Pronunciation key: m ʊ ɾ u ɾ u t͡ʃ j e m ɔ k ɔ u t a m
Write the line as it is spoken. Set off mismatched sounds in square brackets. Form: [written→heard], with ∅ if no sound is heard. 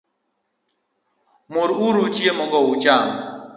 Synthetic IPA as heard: m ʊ ɾ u ɾ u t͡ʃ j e m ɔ [k→ɡ] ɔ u [t→t͡ʃ] a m